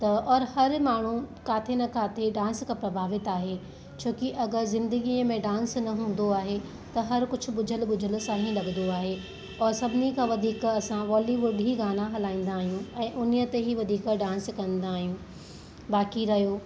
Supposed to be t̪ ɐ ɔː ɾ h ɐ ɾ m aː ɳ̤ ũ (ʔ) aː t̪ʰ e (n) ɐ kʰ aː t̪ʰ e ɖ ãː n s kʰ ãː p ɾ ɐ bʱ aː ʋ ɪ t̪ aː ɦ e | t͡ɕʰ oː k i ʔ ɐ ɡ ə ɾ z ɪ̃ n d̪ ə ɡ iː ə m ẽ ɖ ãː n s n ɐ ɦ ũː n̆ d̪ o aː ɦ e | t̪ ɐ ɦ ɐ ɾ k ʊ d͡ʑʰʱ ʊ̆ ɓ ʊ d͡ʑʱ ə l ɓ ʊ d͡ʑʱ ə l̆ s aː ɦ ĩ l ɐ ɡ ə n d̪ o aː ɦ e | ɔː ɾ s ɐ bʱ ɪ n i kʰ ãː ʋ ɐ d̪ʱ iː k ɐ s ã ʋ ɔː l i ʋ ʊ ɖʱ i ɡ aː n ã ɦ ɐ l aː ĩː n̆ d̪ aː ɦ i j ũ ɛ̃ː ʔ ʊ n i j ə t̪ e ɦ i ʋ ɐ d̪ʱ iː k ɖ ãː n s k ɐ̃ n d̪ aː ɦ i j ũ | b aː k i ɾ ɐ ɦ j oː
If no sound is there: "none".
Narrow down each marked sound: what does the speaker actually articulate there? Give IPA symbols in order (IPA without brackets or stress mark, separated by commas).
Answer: k, n